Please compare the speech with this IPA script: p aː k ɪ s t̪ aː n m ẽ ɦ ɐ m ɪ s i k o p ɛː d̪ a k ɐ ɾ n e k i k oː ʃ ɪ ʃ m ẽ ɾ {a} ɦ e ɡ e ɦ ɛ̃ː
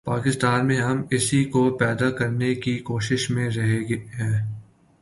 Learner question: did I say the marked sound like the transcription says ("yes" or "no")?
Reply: no